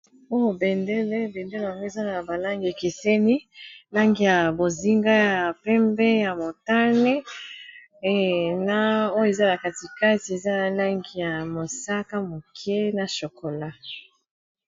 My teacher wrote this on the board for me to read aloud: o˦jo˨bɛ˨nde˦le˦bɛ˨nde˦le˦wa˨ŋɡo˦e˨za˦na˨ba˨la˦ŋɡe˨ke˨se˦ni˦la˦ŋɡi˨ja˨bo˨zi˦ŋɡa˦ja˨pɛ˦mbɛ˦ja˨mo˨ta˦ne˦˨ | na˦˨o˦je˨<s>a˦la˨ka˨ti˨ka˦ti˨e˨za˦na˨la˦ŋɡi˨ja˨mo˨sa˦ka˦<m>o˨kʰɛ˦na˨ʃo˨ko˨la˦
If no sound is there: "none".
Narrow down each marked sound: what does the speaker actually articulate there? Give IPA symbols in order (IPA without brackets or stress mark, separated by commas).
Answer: z, m